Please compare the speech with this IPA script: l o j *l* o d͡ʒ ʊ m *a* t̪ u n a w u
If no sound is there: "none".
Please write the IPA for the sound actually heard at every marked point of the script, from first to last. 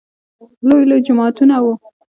l, ɑ

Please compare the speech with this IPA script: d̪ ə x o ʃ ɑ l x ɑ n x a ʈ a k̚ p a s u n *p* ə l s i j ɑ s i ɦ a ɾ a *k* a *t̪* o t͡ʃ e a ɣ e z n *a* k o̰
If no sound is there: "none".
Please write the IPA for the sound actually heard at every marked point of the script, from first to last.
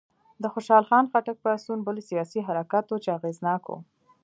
b, k, t̪, ɑ

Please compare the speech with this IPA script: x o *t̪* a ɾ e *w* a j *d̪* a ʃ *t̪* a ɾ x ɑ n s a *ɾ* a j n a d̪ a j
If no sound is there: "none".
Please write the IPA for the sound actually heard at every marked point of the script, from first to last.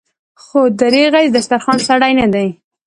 d̪, ɣ, d̪, t̪, ɽ

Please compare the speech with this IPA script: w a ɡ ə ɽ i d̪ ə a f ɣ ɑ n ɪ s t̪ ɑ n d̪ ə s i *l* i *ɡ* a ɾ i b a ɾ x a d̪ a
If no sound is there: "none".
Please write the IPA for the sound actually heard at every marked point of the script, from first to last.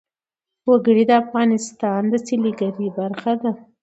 l, ɡ

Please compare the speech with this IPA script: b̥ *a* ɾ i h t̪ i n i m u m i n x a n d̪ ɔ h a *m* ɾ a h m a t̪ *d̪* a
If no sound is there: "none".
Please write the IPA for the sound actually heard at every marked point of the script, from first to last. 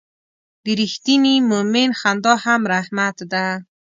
i, m, d̪

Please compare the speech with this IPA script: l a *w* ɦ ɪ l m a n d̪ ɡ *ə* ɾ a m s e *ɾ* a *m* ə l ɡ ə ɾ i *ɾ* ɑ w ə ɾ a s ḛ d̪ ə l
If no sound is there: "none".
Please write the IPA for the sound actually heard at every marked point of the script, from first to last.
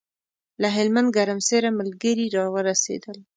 none, a, ɾ, m, ɾ

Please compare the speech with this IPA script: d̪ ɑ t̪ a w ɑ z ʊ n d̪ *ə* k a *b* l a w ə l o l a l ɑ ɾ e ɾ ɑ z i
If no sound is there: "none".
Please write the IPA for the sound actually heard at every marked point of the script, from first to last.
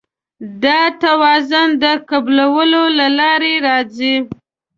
ə, b

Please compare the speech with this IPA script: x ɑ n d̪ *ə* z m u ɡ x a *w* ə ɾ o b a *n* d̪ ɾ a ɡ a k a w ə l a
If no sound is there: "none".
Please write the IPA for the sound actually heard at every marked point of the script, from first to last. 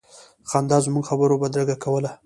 ɑ, b, none

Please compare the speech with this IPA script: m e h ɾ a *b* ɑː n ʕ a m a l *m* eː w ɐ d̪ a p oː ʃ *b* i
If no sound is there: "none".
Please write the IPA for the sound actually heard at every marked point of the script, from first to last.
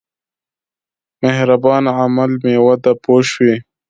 b, m, w

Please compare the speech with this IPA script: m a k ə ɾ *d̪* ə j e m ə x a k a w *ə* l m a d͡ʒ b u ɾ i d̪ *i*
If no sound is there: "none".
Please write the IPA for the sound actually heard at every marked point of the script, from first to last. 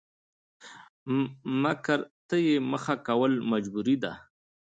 t̪, ə, a

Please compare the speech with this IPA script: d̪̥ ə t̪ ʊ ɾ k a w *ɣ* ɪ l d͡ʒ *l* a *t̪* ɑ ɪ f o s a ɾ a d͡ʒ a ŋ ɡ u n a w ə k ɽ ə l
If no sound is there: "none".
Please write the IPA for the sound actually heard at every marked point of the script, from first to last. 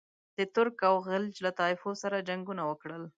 ɣ, l, t̪

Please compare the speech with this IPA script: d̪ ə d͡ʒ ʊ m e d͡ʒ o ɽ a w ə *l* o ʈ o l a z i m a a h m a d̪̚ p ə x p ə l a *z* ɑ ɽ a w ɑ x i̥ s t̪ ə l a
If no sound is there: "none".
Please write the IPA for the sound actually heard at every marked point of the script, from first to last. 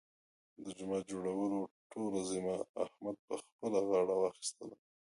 l, ɣ

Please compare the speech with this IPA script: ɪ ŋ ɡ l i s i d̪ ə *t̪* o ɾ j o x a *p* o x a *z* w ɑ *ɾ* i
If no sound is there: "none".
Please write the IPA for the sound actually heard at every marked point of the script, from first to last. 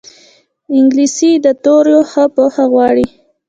t̪, p, ɣ, ɽ

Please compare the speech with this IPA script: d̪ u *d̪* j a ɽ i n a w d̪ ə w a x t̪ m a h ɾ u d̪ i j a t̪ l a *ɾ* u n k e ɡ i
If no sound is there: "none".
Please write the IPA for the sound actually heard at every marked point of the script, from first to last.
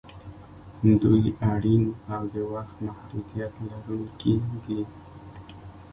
none, ɾ

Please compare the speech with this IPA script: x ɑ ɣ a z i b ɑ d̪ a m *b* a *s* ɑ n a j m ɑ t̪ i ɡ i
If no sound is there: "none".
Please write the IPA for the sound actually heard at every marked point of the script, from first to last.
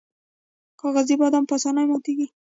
p, s

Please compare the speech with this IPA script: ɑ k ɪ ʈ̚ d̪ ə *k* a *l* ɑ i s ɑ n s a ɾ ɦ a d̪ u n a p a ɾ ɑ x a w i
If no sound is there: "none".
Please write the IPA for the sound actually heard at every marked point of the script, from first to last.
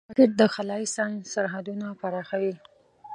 x, l

